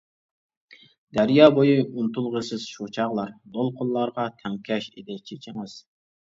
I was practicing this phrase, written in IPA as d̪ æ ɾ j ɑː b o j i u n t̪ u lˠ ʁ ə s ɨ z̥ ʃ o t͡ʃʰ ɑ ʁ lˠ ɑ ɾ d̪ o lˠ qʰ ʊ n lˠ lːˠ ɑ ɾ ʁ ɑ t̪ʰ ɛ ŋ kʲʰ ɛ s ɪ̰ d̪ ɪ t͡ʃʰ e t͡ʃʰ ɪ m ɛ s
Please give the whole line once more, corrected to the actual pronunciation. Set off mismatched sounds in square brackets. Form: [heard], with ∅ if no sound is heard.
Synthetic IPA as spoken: d̪ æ ɾ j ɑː b o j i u n t̪ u lˠ ʁ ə s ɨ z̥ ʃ o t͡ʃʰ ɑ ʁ lˠ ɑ ɾ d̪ o lˠ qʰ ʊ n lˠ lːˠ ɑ ɾ ʁ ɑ t̪ʰ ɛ ŋ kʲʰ ɛ [ʃ] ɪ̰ d̪ ɪ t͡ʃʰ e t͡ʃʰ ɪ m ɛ s